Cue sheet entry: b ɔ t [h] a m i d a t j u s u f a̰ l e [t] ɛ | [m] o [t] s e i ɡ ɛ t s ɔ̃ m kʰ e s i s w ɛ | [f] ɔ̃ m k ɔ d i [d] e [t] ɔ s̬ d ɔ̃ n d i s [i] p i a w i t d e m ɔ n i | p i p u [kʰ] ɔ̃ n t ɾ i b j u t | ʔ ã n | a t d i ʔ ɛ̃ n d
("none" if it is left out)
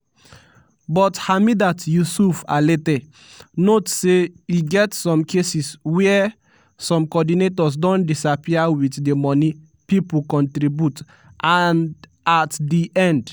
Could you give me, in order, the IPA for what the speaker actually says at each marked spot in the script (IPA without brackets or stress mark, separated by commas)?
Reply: h, t, n, t, s, n, t, a, k